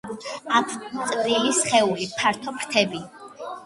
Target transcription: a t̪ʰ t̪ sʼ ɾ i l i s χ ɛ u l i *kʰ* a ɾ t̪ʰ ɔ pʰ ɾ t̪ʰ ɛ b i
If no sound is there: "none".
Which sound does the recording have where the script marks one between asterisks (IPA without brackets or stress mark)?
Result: pʰ